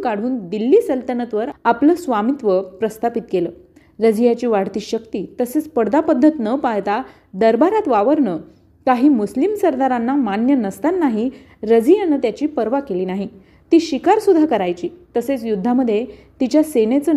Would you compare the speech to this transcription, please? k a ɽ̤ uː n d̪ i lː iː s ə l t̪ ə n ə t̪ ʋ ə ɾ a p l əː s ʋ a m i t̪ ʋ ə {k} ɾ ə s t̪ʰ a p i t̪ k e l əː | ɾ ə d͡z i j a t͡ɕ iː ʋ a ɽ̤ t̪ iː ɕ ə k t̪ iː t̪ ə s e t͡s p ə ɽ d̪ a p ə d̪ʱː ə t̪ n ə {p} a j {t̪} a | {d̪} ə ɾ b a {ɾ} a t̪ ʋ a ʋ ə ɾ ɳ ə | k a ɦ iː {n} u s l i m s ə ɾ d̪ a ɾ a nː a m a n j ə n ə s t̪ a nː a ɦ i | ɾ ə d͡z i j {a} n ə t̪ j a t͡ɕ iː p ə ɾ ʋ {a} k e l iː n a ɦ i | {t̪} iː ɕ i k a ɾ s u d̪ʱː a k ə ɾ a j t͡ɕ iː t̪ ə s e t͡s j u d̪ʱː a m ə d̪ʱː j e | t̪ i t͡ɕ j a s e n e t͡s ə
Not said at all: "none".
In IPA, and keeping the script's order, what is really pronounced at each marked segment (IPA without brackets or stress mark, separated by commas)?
p, p, t̪, d̪, ɾ, m, a, a, t̪